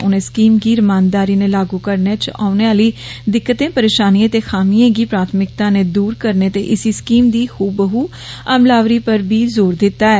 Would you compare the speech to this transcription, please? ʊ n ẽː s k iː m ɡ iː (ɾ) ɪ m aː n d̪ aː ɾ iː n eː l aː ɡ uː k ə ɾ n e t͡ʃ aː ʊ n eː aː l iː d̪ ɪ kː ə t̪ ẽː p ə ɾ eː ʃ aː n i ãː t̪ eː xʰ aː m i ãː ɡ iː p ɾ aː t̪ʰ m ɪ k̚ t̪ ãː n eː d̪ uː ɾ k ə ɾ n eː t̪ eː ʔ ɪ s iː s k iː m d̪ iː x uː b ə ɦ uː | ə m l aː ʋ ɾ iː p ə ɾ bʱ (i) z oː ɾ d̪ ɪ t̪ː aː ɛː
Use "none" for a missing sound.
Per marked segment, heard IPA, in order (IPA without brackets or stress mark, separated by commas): ɾ, iː